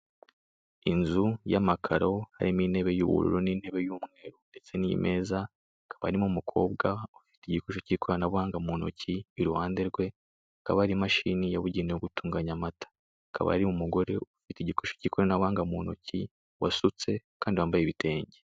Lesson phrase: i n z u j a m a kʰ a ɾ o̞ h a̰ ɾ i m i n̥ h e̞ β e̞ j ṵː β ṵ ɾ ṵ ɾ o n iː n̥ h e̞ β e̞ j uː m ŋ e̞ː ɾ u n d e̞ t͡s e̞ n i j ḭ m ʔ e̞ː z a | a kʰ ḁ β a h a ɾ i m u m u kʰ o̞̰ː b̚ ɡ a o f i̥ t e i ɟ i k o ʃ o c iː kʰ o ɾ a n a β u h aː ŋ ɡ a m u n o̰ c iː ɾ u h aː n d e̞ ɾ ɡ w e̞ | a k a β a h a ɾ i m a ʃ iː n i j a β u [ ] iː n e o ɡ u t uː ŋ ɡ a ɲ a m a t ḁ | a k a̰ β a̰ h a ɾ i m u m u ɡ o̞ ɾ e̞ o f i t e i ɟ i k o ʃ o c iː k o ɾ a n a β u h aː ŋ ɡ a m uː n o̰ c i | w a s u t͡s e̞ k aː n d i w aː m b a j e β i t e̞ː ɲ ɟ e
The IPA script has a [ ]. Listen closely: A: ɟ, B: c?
A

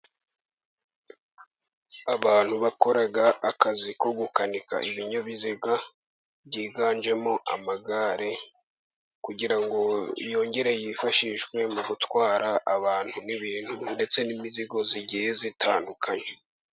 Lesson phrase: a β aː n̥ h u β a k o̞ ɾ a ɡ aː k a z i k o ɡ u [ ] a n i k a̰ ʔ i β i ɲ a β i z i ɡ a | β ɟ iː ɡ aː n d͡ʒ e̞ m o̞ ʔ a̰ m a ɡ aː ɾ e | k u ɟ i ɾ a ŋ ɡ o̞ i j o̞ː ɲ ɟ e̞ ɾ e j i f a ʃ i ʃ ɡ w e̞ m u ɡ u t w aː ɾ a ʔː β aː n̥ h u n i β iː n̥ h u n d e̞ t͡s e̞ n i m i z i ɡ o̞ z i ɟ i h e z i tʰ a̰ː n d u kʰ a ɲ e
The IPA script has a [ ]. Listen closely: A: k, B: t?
A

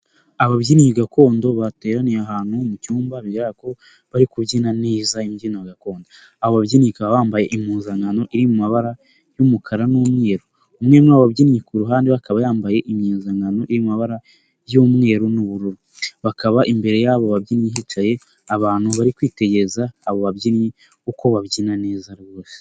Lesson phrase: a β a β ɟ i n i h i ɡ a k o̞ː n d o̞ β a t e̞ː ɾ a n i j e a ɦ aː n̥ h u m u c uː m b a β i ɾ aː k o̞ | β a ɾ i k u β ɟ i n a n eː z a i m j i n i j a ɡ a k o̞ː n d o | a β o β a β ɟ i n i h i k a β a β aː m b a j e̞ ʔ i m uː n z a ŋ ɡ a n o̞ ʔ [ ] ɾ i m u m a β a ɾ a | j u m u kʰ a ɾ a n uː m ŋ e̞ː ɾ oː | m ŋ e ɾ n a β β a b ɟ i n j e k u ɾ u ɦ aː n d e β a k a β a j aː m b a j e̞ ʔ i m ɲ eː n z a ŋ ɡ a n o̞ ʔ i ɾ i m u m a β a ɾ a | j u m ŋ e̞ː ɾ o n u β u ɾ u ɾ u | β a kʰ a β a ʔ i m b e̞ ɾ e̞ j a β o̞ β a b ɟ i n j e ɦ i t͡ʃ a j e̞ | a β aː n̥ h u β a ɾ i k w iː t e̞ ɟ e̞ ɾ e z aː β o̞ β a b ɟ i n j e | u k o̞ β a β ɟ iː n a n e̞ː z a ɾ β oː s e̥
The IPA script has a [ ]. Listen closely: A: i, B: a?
A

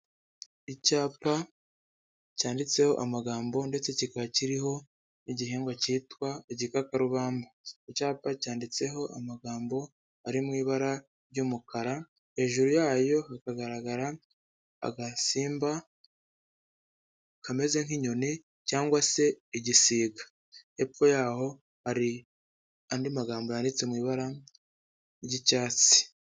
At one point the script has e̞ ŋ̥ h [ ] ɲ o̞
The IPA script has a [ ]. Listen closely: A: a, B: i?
B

